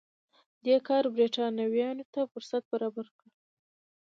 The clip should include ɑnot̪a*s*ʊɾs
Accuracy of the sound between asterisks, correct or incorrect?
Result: incorrect